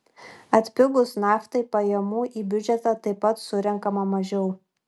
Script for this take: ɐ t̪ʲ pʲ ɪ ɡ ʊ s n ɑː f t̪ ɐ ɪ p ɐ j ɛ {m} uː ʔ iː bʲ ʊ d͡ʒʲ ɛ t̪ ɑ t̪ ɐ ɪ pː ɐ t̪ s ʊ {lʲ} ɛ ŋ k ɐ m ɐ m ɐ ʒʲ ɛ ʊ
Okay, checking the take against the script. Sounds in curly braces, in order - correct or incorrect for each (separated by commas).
correct, incorrect